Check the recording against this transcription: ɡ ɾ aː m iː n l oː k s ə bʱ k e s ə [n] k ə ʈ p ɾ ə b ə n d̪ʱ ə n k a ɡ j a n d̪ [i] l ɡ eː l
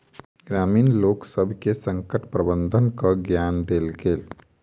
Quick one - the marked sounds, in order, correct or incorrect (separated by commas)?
incorrect, incorrect